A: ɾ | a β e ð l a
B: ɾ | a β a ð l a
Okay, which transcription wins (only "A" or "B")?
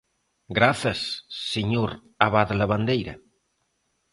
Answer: B